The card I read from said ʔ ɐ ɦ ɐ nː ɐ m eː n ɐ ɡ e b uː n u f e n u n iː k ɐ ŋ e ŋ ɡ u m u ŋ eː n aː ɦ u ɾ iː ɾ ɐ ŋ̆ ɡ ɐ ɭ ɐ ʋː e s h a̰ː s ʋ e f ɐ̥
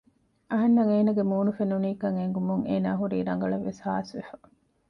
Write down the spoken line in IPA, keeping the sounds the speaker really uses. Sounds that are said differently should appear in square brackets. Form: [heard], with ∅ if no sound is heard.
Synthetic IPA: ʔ ɐ ɦ ɐ nː ɐ [ŋ] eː n ɐ ɡ e [m] uː n u f e n u n iː k ɐ ŋ e ŋ ɡ u m u ŋ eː n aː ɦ u ɾ iː ɾ ɐ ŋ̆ ɡ ɐ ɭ ɐ ʋː e s h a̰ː s ʋ e f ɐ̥